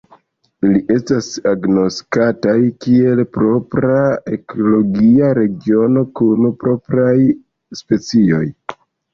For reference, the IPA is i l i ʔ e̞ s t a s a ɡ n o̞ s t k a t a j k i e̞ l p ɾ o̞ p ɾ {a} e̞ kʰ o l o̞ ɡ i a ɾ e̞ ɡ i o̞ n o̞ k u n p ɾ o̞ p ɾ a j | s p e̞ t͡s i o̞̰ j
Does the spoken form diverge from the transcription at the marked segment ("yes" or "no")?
no